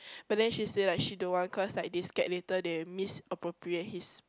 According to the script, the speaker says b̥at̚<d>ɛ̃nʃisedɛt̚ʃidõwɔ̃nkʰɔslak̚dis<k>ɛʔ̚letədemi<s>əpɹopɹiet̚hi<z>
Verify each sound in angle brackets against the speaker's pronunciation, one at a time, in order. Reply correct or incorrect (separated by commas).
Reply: correct, correct, correct, incorrect